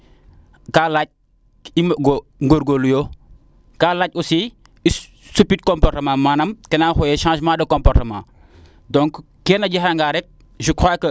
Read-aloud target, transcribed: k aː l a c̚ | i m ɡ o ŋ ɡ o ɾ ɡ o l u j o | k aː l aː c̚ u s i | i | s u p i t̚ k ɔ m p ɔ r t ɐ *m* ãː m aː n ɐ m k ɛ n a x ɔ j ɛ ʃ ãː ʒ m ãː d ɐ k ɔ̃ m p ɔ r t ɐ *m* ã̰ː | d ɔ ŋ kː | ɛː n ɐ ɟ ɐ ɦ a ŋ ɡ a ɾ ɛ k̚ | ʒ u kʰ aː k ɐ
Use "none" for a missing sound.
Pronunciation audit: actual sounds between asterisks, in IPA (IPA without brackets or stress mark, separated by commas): m, m